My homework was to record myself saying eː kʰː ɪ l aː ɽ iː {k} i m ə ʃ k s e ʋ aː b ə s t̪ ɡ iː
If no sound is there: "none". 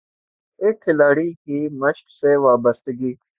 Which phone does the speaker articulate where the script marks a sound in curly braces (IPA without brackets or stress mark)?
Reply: k